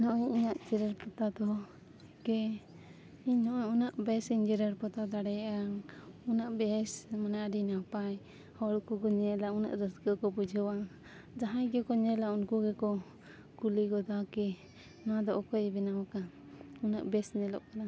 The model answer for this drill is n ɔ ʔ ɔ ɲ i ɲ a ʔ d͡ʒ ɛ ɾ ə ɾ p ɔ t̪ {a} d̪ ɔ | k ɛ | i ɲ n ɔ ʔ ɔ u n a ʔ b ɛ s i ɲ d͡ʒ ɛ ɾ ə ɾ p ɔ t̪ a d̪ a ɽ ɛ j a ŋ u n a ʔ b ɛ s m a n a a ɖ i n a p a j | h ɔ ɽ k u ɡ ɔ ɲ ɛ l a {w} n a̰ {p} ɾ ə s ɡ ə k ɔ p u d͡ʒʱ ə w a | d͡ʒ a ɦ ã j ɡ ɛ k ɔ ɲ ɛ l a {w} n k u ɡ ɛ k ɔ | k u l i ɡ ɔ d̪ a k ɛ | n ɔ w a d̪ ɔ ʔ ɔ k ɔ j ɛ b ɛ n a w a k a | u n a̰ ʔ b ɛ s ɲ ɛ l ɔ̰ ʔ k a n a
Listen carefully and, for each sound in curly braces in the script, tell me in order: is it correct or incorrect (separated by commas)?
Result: correct, incorrect, incorrect, incorrect